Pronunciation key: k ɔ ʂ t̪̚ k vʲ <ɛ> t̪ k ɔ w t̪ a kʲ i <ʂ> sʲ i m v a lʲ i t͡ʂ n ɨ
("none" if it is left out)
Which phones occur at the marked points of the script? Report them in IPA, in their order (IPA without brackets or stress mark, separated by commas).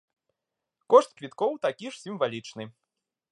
i, ʂ